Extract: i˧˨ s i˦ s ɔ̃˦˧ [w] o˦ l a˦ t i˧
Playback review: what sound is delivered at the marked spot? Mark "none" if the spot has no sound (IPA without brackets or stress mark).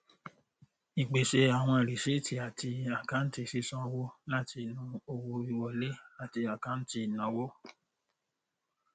w